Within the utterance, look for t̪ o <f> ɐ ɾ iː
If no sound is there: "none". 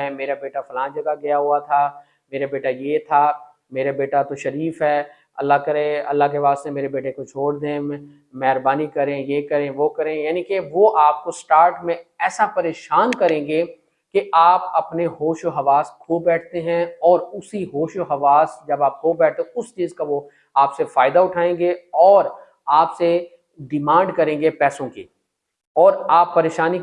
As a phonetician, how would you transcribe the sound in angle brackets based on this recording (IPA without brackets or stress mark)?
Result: ʃ